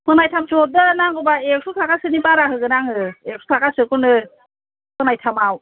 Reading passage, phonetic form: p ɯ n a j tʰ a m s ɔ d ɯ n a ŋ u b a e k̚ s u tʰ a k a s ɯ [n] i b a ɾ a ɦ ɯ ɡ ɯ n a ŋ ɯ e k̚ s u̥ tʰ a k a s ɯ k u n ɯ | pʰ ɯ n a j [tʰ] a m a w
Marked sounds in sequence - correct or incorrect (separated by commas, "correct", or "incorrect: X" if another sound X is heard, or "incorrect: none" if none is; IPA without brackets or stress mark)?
correct, correct